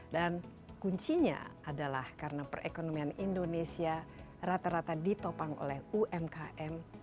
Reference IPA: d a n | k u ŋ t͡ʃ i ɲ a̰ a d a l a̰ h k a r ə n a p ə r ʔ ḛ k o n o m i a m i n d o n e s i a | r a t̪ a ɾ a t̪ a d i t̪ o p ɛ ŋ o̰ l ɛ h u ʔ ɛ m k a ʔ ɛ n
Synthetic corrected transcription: d a n | k u ɲ t͡ʃ i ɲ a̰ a d a l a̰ h k a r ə n a p ə r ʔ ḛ k o n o m i a n i n d o n e s i a | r a t̪ a ɾ a t̪ a d i t̪ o p a ŋ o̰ l ɛ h u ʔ ɛ m k a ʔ ɛ m